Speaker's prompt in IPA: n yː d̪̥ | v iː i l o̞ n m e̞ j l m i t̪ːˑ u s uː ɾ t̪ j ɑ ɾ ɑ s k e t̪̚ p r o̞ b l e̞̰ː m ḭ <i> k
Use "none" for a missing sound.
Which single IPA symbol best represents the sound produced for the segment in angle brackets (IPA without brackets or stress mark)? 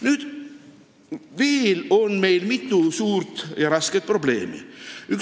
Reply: y